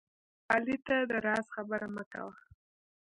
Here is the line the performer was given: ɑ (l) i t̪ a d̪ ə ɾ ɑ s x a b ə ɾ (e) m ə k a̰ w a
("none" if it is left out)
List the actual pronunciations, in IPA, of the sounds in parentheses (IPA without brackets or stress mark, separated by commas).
l, a